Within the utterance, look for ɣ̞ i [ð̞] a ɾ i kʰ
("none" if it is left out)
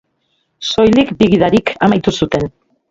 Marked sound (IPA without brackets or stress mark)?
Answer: ð̞